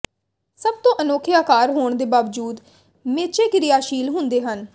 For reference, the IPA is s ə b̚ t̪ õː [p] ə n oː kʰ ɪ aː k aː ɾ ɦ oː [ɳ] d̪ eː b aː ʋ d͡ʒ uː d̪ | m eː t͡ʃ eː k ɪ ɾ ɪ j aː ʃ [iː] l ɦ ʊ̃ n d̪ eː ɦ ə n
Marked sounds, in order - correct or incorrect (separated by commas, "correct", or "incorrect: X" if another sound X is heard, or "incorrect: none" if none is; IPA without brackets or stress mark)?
incorrect: ʔ, correct, correct